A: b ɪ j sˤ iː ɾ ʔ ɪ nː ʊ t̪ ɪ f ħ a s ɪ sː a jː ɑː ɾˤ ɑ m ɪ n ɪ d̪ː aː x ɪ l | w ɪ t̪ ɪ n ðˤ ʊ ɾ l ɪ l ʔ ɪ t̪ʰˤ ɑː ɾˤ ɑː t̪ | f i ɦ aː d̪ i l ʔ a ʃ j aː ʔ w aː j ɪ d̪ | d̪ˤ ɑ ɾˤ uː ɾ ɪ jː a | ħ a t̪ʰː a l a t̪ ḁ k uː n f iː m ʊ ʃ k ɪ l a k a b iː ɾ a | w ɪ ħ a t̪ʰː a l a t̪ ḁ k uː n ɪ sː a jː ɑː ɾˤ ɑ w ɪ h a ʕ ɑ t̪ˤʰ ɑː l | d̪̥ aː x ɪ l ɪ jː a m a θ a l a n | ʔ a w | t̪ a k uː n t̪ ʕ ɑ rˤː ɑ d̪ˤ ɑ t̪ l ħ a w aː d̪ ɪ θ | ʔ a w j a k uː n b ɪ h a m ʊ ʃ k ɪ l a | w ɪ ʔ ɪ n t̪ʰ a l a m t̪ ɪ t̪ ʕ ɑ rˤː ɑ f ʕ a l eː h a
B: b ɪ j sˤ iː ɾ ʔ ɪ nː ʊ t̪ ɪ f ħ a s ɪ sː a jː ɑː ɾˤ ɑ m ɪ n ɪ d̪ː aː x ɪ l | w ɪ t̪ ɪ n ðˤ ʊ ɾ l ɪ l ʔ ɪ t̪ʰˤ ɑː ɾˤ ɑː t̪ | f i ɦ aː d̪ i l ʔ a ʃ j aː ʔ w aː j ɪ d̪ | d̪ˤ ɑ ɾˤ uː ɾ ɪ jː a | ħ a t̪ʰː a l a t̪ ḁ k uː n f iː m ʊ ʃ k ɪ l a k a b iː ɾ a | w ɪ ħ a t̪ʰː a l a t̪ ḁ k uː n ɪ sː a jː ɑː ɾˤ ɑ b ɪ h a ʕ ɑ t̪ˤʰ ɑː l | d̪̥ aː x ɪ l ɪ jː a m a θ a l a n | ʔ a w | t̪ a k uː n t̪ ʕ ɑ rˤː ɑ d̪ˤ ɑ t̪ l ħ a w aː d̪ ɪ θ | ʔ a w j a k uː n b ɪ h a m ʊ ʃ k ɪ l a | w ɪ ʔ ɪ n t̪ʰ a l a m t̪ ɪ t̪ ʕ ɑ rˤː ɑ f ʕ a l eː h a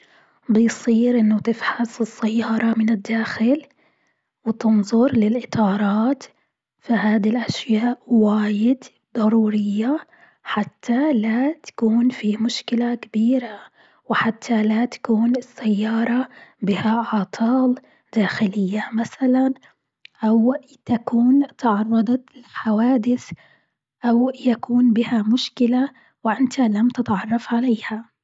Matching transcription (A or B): B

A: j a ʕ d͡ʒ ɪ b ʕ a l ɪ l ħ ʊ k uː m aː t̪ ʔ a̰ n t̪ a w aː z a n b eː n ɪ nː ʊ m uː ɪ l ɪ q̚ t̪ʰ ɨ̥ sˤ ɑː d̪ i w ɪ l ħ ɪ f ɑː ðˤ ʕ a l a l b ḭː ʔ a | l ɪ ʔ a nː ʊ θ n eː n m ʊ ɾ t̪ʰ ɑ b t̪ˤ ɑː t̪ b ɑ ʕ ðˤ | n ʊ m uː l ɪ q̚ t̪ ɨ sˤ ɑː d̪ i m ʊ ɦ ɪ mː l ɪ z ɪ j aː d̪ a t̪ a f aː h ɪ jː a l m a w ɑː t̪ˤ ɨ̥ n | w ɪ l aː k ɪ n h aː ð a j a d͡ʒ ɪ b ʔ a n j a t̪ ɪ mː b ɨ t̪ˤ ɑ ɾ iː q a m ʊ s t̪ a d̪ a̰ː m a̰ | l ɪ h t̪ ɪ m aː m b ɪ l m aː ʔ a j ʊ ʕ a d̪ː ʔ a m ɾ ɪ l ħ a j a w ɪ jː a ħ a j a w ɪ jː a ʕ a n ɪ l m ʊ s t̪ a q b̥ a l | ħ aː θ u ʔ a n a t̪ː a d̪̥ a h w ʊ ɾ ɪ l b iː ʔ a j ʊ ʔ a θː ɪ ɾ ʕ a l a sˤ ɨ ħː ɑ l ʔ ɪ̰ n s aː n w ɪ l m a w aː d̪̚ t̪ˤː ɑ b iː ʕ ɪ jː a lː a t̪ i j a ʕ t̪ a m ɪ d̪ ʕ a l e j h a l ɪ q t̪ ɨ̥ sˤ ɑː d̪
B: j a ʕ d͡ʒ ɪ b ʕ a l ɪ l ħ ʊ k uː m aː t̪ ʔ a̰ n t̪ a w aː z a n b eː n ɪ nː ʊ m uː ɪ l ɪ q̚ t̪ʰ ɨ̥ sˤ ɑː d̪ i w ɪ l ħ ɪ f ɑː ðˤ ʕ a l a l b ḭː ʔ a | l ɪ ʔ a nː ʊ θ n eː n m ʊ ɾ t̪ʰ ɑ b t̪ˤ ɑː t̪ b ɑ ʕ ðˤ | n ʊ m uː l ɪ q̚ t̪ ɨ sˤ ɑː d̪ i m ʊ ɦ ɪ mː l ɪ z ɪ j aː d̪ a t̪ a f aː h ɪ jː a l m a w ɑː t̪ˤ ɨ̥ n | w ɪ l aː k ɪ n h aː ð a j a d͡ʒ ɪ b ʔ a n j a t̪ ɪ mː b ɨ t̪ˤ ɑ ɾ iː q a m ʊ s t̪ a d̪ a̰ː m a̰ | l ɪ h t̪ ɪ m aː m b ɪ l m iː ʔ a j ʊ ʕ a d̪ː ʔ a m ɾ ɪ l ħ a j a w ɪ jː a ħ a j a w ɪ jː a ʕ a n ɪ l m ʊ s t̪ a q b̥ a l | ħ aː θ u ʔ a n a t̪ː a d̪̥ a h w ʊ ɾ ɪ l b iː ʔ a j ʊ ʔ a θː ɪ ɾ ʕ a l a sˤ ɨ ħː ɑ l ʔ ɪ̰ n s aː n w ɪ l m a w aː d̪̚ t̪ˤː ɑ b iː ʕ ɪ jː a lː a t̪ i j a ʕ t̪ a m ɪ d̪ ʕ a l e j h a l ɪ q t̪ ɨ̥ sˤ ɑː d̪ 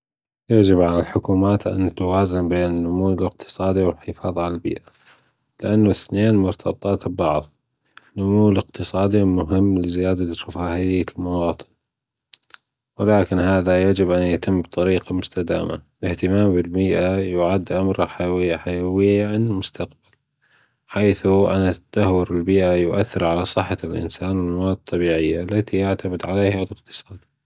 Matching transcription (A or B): B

